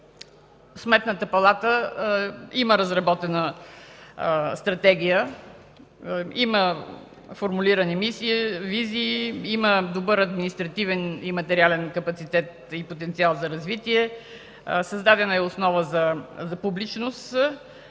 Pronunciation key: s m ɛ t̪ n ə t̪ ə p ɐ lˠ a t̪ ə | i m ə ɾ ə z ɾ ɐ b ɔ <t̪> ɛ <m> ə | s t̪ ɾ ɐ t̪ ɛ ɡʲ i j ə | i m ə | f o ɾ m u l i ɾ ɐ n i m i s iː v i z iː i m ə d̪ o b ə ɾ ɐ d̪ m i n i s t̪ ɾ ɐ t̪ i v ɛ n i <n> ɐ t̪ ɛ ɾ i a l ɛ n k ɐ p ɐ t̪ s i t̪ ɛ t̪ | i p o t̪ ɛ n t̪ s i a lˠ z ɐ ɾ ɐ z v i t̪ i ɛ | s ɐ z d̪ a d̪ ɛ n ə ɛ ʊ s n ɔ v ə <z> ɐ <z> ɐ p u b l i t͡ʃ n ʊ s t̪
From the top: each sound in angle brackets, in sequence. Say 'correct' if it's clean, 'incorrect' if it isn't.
correct, incorrect: n, incorrect: m, correct, correct

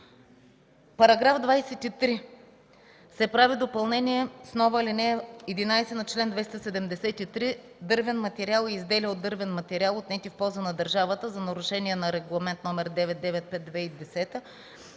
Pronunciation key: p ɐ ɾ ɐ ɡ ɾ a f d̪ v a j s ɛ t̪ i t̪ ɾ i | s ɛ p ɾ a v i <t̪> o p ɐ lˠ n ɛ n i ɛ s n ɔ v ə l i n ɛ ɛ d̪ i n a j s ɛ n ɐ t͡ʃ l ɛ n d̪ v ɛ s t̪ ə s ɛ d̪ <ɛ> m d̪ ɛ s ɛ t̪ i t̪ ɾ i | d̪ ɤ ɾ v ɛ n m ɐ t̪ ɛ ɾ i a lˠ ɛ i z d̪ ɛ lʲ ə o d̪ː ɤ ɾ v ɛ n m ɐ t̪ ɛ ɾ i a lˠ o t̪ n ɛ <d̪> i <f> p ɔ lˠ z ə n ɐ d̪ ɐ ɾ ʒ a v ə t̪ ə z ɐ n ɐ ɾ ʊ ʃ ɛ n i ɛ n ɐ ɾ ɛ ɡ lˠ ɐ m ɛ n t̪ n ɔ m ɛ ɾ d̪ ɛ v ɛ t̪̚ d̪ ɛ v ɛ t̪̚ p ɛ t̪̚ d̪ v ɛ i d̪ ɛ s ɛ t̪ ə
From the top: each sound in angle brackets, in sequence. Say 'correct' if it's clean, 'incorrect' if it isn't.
incorrect: d̪, correct, incorrect: t̪, correct

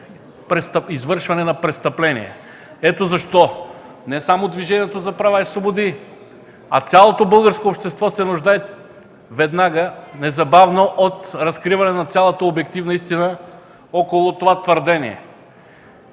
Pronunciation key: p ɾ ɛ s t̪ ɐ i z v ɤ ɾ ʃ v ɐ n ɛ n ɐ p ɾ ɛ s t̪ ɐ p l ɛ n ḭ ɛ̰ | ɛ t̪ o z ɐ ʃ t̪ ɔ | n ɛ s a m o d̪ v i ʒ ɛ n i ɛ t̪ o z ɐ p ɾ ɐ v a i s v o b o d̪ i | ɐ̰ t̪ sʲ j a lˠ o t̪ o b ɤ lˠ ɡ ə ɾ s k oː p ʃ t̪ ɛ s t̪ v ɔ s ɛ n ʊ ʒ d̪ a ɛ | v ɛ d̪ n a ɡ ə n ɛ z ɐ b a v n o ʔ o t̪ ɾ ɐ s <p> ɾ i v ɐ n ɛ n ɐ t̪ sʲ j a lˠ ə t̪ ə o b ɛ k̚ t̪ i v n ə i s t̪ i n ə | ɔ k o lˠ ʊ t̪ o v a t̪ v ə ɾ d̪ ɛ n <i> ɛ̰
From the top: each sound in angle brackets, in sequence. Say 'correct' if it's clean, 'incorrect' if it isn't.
incorrect: k, correct

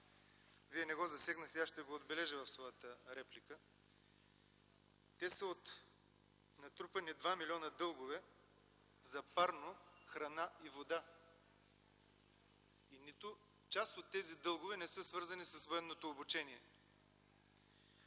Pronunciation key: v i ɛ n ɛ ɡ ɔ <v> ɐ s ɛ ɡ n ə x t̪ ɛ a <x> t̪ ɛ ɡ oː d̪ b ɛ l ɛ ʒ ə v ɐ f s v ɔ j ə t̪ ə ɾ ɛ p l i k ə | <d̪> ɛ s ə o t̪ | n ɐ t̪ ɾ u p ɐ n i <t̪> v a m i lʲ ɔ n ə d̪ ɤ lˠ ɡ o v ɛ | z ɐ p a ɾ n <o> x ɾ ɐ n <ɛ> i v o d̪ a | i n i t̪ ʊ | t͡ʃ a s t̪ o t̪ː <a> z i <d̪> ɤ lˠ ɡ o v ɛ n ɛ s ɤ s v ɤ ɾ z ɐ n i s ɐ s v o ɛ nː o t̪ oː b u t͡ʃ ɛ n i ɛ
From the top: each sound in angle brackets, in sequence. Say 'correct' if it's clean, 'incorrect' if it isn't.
incorrect: z, incorrect: ʃ, incorrect: t̪, incorrect: d̪, correct, incorrect: a, incorrect: ɛ, correct

